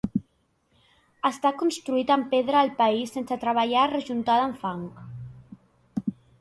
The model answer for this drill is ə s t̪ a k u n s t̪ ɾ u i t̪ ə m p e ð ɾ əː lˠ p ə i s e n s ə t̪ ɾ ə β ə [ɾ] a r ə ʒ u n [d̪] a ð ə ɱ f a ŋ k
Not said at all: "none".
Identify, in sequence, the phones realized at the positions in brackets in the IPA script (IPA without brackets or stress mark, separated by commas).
ʎ, t̪